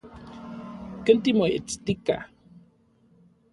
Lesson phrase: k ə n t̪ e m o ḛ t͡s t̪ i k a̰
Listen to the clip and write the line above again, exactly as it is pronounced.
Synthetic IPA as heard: k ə n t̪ i m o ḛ t͡s t̪ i k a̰